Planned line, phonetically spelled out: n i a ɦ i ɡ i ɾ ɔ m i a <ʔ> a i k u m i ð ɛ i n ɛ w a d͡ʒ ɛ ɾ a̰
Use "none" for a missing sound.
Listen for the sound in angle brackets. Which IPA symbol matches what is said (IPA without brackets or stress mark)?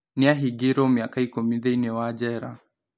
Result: k